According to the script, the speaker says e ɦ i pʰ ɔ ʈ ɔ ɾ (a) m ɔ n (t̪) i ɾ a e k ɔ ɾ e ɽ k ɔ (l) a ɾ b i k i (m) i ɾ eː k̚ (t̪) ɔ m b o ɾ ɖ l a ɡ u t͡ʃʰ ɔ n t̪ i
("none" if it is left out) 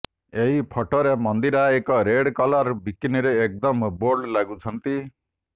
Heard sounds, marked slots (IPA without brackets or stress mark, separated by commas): e, d̪, l, n, d̪